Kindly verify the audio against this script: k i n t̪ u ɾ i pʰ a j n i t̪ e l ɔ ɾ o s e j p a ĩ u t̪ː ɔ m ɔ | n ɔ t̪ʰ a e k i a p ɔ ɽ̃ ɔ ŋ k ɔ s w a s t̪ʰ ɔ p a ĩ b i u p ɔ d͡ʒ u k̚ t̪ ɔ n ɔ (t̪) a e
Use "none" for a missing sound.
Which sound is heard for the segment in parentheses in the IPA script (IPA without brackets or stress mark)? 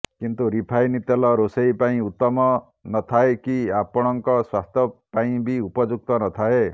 t̪ʰ